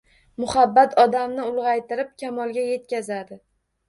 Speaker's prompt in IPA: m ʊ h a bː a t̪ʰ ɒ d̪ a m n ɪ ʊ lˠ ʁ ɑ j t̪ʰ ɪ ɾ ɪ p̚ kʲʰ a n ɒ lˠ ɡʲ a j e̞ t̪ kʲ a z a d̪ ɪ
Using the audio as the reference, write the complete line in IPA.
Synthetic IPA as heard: m ʊ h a bː a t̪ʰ ɒ d̪ a m n ɪ ʊ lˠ ʁ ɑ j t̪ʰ ɪ ɾ ɪ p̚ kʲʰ a m ɒ lˠ ɡʲ a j e̞ t̪ kʲ a z a d̪ ɪ

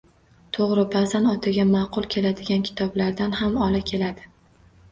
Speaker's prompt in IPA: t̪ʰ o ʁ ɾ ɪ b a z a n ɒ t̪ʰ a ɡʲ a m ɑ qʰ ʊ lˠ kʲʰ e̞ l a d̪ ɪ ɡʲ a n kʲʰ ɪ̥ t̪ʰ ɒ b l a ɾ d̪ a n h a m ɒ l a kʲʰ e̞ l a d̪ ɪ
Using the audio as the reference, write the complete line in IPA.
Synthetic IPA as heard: t̪ʰ o ʁ ɾ ɪ b a z a n ɒ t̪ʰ a ɡʲ a m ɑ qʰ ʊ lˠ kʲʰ e̞ l a d̪ ɪ ɡʲ a n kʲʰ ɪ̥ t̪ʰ ɒ b l a ɾ d̪ a n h a m ɒ l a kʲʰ e̞ l a d̪ ɪ

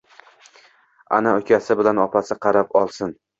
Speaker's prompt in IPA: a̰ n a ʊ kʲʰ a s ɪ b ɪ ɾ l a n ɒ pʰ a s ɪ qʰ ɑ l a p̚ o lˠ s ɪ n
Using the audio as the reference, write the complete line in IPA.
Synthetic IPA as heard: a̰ n a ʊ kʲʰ a s ɪ b ɪ l a n ɒ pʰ a s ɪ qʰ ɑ ɾ a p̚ ɒ lˠ s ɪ n

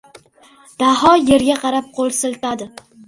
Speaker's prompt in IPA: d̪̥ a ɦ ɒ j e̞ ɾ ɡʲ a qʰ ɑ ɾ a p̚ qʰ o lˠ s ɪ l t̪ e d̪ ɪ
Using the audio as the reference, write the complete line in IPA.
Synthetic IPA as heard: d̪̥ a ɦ ɒ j e̞ ɾ ɡʲ a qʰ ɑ ɾ a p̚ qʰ o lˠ s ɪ l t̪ a d̪ ɪ

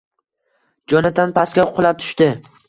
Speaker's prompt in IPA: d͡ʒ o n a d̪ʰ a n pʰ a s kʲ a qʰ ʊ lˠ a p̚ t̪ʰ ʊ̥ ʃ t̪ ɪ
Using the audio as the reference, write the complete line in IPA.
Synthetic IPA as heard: d͡ʒ ɒ n a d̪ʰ a n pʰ a s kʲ a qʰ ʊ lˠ a p̚ t̪ʰ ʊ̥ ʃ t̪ ɪ

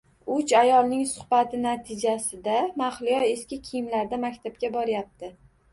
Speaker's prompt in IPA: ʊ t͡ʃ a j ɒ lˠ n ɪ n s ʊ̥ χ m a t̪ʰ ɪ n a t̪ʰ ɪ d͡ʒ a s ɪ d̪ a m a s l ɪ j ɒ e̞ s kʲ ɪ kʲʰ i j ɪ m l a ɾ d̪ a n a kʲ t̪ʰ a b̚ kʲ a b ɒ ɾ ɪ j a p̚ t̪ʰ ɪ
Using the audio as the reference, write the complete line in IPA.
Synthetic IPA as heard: ʊ t͡ʃ a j ɒ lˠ n ɪ ŋ s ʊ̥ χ b a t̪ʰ ɪ n a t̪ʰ ɪ d͡ʒ a s ɪ d̪ a m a χ l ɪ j ɒ e̞ s kʲ ɪ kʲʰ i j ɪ m l a ɾ d̪ a m a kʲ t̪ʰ a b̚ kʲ a b ɒ ɾ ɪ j a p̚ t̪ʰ ɪ

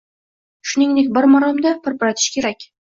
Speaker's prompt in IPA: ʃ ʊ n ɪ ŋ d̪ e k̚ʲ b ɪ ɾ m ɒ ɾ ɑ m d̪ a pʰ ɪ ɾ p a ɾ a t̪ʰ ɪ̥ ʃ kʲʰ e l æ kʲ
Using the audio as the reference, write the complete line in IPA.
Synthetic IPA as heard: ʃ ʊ n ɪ ŋ d̪ e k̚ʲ b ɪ ɾ m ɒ ɾ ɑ m d̪ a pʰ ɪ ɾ p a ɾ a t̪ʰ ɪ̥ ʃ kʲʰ e ɾ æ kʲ

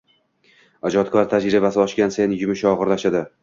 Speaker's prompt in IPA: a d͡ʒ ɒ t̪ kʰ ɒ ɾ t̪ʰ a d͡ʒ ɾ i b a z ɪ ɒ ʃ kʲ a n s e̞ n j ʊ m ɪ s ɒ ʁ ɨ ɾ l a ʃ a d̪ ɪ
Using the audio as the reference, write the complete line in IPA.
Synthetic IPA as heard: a d͡ʒ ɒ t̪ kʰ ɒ ɾ t̪ʰ a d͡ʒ ɾ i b a s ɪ ɒ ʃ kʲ a n s e̞ n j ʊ m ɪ ʃ ɒ ʁ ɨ ɾ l a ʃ a d̪ ɪ

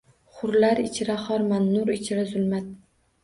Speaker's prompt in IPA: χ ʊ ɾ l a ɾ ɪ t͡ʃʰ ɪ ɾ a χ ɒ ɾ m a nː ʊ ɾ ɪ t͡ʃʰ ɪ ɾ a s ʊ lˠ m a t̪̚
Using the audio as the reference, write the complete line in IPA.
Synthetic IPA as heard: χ ʊ ɾ l a ɾ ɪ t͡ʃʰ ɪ ɾ a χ ɒ ɾ m a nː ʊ ɾ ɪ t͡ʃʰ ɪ ɾ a z ʊ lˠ m a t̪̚

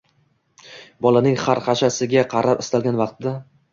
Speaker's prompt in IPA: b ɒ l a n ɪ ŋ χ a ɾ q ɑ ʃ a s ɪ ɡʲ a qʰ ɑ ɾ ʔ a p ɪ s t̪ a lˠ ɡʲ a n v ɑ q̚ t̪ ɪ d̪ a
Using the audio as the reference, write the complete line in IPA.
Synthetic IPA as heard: b ɒ l a n ɪ ŋ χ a ɾ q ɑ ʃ a s ɪ ɡʲ a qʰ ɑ ɾ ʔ a p ɪ s t̪ a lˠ ɡʲ a n v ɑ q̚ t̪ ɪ d̪ a

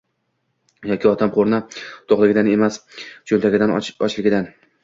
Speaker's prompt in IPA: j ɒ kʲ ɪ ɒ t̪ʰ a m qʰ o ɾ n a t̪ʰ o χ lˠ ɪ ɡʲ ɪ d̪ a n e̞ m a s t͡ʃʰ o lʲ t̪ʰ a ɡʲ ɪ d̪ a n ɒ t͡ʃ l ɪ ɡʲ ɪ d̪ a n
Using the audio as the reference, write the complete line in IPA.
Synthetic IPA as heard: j ɒ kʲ ɪ ɒ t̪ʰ a m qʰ o ɾ n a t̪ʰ o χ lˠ ɪ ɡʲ ɪ d̪ a n e̞ m a s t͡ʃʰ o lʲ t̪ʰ a ɡʲ ɪ d̪ a n ɒ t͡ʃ l ɪ ɡʲ ɪ d̪ a n

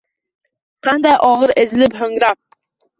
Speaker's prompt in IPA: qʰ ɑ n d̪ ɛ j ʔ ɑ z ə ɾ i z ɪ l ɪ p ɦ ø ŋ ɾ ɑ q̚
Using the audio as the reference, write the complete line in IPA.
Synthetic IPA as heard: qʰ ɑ n d̪ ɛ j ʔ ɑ ʁ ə ɾ e z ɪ l ɪ p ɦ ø ŋ ɾ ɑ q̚

